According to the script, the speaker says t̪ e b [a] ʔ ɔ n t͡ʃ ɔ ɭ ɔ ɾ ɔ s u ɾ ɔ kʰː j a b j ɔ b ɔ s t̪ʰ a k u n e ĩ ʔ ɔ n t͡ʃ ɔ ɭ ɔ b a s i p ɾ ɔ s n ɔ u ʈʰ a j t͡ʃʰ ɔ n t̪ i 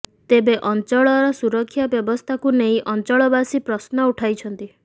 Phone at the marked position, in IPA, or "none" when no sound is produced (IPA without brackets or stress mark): e